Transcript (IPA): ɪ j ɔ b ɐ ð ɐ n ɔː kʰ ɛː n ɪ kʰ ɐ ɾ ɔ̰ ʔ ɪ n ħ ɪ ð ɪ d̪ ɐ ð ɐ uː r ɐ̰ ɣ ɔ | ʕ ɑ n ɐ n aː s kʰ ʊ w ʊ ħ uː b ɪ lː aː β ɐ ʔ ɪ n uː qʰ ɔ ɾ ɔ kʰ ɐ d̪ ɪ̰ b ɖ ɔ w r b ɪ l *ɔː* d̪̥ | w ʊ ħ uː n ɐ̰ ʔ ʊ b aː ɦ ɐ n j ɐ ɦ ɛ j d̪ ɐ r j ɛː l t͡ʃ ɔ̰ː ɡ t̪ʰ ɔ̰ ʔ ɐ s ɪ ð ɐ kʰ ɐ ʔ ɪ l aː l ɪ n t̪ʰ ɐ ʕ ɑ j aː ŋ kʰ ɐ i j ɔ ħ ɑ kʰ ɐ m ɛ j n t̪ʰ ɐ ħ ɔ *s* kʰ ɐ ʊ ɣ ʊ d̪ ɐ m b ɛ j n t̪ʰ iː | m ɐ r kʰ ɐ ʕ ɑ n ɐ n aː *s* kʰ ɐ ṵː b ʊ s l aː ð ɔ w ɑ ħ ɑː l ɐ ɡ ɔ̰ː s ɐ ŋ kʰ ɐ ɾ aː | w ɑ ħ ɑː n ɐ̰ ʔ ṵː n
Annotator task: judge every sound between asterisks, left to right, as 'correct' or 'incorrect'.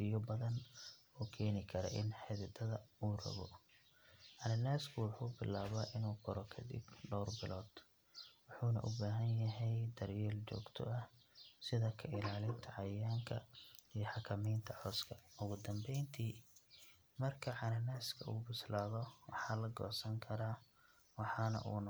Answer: correct, correct, correct

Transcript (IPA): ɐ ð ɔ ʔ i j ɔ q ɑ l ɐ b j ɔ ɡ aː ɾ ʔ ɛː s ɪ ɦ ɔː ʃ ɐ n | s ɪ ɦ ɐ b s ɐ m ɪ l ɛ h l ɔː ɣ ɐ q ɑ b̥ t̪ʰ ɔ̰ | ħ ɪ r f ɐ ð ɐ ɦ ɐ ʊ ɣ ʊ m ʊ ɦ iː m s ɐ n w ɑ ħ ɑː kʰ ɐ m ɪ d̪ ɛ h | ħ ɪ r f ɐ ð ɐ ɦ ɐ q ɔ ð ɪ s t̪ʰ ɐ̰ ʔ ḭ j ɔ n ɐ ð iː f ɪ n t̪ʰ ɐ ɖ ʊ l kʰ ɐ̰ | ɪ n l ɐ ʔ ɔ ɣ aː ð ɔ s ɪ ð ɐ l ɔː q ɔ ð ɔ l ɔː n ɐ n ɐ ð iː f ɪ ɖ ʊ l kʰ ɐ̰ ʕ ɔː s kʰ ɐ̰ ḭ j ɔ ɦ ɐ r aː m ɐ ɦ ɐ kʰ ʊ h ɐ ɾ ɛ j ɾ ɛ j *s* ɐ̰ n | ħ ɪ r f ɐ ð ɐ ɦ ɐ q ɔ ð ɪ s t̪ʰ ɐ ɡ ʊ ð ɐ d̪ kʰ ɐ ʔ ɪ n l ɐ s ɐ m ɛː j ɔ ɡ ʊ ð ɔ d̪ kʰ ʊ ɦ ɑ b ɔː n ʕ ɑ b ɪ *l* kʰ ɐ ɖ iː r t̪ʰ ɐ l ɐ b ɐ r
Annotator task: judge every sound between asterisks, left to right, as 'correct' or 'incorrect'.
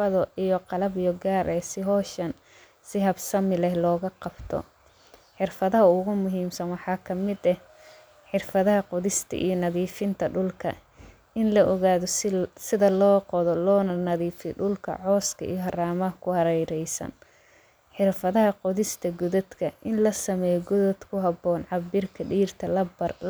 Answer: correct, incorrect: r

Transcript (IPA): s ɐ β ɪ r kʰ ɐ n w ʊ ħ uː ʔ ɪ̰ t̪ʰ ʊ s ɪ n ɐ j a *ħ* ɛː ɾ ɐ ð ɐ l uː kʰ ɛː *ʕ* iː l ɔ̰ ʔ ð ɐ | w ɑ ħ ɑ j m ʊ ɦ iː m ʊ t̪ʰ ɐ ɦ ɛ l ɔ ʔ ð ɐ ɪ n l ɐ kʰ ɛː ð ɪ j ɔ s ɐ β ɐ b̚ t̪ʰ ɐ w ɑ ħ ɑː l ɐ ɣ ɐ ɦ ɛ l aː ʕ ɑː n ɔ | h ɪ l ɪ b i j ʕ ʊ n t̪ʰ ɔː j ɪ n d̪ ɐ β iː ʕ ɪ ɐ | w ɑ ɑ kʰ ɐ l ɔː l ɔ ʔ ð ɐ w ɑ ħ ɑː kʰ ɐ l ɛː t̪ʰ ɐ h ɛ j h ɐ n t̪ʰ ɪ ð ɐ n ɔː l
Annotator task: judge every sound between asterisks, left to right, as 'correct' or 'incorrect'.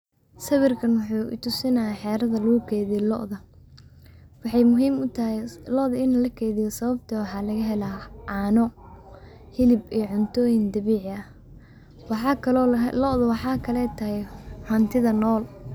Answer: correct, incorrect: ð

